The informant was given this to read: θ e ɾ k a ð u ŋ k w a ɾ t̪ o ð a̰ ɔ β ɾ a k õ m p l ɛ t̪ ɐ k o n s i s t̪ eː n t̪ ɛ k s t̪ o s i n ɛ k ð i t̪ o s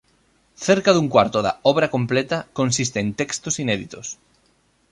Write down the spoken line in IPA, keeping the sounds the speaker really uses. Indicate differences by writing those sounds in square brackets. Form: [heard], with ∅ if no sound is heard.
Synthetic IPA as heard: θ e ɾ k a ð u ŋ k w a ɾ t̪ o ð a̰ ɔ β ɾ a k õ m p l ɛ t̪ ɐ k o n s i s t̪ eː n t̪ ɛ k s t̪ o s i n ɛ [∅] ð i t̪ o s